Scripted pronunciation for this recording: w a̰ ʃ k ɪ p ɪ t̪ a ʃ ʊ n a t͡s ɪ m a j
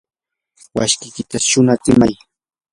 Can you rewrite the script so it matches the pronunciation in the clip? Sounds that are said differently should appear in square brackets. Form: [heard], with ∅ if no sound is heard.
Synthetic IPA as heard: w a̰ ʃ k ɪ [k] ɪ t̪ a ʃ ʊ n a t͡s ɪ m a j